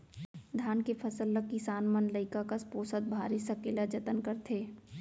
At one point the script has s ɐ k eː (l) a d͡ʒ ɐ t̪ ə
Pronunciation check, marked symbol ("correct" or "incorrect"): correct